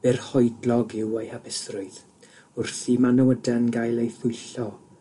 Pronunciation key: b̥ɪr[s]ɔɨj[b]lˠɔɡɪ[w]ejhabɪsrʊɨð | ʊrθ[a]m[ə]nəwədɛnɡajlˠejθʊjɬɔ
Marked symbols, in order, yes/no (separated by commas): no, no, yes, no, no